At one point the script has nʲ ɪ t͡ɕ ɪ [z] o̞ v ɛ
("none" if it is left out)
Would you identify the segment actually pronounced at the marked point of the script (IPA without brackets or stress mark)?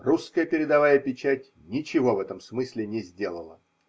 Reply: v